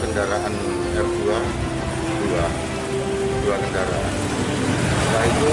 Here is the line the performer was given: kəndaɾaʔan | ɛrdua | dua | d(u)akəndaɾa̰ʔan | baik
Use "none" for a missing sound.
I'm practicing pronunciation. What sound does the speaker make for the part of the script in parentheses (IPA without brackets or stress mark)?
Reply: u